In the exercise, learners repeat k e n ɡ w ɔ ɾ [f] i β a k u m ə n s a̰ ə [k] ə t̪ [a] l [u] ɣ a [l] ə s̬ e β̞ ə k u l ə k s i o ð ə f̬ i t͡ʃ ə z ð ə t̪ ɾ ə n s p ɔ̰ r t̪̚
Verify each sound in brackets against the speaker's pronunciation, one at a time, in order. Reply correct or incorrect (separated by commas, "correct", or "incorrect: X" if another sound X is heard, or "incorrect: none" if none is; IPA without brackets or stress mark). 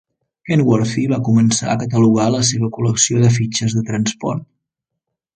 correct, correct, incorrect: ə, correct, correct